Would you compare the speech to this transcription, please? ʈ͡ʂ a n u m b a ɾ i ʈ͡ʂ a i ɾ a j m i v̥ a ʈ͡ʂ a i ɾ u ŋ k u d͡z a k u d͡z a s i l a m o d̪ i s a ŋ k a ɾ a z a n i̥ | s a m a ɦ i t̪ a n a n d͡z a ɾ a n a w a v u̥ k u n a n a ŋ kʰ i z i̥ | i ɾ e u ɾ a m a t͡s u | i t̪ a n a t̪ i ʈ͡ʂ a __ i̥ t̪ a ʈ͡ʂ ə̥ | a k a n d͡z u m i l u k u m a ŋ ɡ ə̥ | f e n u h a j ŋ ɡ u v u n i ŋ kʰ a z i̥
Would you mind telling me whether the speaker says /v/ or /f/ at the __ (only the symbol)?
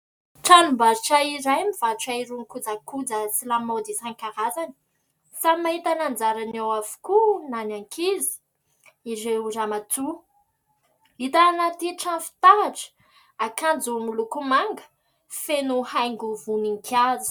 f